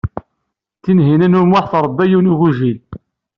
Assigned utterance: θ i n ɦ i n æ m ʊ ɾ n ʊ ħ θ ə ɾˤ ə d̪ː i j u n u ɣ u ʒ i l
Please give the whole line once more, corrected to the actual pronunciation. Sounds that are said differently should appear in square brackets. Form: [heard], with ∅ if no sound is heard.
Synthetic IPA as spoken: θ i n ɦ i n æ [n] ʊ ɾ [m] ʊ ħ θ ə ɾˤ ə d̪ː [æ] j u n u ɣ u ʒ i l